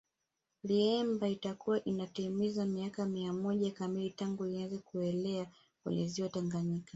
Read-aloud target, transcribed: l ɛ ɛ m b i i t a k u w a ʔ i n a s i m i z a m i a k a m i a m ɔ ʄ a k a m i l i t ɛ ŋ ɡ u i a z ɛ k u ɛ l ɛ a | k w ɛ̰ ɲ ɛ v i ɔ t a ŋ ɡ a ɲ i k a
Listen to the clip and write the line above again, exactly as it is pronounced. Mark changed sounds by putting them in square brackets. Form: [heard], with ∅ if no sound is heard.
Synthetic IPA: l [i] ɛ m b [a] i t a k u w a ʔ i n a [t] i m i z a m i a k a m i a m ɔ ʄ a k a m i l i t [a] ŋ ɡ u i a z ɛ k u ɛ l ɛ a | k w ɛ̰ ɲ ɛ [z] i ɔ t a ŋ ɡ a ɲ i k a